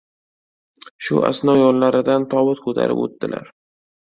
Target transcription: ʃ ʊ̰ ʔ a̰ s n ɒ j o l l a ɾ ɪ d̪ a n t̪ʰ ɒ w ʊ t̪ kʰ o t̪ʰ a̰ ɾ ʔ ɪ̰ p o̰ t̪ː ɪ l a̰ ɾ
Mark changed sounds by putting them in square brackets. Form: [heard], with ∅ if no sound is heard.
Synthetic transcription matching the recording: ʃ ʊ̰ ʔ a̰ s n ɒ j [ɒ] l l a ɾ ɪ d̪ a n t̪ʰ ɒ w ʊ t̪ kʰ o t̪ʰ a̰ ɾ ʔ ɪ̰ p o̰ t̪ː ɪ l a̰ ɾ